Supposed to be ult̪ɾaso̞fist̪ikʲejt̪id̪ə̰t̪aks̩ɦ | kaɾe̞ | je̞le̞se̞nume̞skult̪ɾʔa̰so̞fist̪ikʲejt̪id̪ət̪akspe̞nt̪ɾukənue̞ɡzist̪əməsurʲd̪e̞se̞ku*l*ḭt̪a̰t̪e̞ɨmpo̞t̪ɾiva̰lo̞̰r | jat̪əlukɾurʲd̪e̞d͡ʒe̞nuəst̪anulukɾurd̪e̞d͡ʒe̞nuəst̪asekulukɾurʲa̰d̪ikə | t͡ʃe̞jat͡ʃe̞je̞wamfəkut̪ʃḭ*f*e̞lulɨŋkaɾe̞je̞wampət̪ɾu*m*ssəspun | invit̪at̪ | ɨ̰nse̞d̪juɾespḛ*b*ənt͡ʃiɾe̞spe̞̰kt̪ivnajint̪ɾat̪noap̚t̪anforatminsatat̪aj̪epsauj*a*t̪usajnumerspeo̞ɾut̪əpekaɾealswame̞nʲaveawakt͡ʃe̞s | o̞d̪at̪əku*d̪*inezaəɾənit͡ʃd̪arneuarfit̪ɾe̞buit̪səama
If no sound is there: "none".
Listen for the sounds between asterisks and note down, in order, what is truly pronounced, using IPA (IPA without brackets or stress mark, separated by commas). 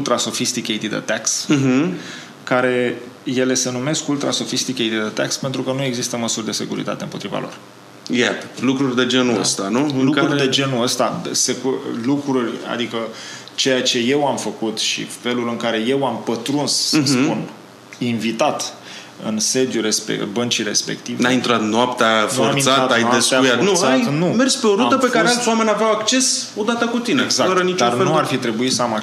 ɾ, f, n, b, a, t̪